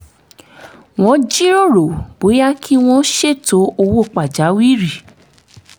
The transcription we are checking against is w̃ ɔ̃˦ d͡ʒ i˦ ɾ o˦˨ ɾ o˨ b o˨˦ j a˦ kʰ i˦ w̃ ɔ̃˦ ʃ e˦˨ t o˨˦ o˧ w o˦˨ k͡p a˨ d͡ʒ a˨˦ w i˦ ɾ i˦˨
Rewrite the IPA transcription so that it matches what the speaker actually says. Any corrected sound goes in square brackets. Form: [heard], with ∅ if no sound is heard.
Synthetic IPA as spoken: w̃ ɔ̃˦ d͡ʒ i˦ ɾ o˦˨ ɾ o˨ b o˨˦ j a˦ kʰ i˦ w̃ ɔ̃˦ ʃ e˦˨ t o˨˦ o˧ w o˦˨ k͡p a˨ d͡ʒ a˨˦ w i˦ ɾ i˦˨